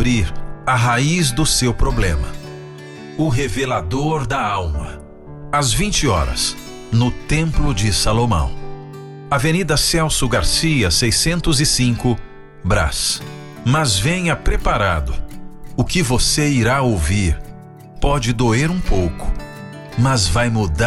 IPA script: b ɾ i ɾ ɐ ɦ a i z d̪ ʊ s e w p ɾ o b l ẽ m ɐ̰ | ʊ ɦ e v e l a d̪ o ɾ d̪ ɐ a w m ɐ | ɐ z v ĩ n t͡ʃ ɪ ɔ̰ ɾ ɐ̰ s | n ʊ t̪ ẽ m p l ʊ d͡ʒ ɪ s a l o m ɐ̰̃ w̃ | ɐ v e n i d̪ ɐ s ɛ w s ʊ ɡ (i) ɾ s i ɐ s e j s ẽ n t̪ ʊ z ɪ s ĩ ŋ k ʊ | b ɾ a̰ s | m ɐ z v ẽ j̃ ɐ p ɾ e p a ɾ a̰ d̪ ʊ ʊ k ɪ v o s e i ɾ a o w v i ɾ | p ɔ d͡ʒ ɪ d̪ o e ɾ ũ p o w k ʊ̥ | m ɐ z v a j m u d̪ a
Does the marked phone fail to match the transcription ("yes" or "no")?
yes